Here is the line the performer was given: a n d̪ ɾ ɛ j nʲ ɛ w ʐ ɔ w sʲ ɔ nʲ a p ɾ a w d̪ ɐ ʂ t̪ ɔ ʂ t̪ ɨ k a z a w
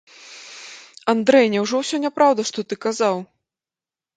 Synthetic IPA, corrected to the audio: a n d̪ ɾ ɛ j nʲ ɛ w ʐ ɔ w sʲ ɔ nʲ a p ɾ a w d̪ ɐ ʂ t̪ ɔ t̪ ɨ k a z a w